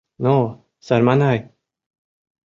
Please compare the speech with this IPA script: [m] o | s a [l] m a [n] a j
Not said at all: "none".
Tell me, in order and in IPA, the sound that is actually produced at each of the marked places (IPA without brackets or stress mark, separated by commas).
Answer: n, ɾ, n